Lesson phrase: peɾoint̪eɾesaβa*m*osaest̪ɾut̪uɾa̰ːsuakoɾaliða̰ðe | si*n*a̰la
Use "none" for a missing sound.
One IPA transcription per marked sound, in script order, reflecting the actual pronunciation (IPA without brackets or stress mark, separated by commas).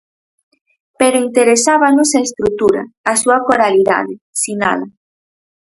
n, n